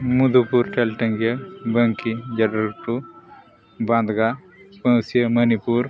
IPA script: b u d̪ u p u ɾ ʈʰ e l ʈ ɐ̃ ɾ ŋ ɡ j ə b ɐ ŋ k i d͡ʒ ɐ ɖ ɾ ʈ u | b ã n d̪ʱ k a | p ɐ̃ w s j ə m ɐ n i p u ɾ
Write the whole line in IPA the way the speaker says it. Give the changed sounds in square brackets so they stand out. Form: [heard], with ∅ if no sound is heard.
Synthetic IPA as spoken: [m] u d̪ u p u ɾ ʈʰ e l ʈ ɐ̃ [∅] ŋ ɡ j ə b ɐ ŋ k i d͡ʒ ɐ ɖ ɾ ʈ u | b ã n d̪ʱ [ɡ] a | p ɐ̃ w s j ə m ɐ n i p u ɾ